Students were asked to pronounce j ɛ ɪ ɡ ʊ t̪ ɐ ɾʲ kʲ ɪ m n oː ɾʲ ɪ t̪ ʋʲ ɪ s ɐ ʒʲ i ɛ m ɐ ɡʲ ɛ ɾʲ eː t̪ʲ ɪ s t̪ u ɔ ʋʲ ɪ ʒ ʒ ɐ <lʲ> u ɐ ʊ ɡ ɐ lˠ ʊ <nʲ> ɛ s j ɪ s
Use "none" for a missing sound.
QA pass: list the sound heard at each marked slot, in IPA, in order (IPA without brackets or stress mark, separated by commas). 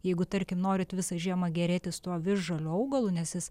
lʲ, nʲ